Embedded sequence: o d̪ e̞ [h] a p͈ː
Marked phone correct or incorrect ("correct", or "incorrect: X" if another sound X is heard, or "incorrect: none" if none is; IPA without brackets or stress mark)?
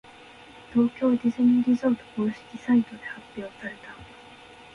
correct